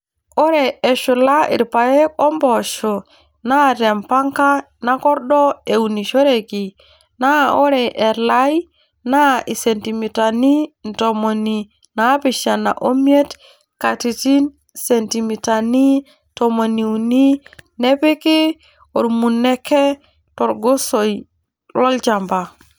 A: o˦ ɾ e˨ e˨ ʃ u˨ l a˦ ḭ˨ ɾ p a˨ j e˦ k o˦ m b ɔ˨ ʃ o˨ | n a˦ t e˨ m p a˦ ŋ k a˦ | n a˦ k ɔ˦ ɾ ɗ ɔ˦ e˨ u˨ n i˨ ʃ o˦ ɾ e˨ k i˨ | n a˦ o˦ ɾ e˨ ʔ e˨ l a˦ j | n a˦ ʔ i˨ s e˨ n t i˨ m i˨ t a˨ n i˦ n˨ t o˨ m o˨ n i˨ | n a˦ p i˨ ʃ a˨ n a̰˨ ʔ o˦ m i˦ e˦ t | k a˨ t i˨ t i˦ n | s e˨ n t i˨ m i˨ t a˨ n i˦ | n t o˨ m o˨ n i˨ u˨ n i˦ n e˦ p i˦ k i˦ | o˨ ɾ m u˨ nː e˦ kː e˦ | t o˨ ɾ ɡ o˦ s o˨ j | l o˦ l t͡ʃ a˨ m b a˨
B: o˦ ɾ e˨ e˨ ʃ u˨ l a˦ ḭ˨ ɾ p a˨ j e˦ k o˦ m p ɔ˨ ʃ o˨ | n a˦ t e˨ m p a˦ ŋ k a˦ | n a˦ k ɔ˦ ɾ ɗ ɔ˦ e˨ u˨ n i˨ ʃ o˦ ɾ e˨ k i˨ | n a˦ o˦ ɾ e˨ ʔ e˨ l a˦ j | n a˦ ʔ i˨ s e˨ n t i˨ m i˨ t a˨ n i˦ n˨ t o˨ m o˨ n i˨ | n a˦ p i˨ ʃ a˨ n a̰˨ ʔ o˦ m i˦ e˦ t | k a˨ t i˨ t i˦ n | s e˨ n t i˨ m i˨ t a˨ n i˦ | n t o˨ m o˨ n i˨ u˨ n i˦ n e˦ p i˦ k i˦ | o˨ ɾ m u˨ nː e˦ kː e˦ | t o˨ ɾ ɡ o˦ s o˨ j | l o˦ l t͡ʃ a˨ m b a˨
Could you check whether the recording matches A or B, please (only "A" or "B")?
A